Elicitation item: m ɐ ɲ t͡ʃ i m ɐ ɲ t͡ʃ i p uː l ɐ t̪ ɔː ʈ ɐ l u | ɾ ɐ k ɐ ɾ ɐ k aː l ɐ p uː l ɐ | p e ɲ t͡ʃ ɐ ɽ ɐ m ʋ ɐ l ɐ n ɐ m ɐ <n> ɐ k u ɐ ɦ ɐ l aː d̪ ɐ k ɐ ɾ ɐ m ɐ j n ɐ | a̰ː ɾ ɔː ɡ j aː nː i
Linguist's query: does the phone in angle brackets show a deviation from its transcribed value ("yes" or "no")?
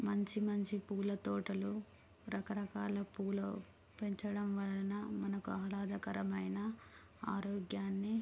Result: no